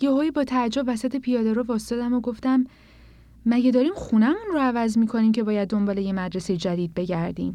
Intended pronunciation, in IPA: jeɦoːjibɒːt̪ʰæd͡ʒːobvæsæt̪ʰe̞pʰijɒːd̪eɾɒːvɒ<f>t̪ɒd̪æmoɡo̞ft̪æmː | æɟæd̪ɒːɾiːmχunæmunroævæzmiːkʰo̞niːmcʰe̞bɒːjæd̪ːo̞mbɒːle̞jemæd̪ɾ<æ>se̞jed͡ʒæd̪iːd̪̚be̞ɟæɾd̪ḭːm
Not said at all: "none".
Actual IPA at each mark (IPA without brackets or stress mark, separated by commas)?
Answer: s, e